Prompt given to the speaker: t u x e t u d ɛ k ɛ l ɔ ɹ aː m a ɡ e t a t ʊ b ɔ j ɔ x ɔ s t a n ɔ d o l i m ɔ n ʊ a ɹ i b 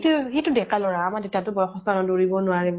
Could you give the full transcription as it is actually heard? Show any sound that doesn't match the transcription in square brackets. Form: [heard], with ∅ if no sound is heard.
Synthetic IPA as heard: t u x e t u d ɛ k [a] l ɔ ɹ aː m a [d] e t a t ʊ b ɔ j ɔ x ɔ s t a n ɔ d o [ɹ] i [b] ɔ n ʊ a ɹ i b